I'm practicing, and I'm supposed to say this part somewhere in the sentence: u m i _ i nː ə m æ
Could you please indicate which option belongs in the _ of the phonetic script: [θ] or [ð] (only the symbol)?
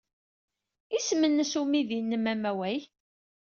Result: ð